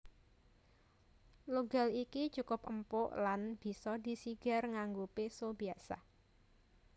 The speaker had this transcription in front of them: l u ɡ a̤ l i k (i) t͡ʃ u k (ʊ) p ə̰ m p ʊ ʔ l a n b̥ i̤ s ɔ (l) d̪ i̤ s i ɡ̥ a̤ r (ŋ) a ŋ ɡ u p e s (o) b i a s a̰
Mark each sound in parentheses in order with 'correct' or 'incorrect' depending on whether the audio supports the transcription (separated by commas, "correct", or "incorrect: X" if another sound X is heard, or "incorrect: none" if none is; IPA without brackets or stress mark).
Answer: correct, correct, incorrect: none, correct, correct